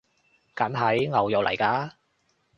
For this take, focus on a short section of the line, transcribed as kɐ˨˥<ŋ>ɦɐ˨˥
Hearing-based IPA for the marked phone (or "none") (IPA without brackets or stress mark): n